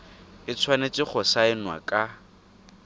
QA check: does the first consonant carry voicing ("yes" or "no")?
no